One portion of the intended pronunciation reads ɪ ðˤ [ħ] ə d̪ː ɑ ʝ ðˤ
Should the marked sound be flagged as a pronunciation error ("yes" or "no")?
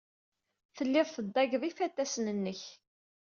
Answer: yes